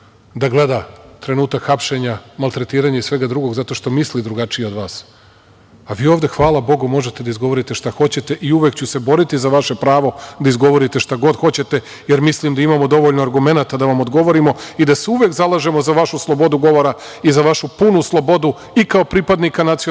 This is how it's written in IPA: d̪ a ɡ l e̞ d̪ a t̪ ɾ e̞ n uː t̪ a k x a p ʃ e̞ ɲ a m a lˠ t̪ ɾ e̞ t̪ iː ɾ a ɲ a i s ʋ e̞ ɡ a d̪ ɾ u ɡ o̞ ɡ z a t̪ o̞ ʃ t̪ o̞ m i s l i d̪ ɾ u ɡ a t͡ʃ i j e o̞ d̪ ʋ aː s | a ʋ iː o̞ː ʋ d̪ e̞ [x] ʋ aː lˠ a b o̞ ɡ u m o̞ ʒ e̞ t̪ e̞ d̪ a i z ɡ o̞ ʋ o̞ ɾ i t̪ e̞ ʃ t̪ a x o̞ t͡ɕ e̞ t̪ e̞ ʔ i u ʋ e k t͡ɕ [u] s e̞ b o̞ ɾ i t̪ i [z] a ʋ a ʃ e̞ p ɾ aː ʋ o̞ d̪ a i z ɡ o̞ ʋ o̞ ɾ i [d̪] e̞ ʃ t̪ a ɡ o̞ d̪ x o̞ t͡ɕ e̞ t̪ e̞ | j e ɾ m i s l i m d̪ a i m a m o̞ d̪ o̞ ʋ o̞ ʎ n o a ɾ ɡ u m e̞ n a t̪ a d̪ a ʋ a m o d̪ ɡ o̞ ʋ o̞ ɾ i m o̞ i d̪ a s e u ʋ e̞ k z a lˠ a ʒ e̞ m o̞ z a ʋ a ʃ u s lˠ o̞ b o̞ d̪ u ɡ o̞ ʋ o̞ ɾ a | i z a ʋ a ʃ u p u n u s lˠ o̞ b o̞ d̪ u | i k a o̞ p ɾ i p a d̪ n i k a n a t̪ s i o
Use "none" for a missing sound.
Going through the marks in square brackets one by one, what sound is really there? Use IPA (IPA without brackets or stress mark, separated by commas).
x, u, z, t̪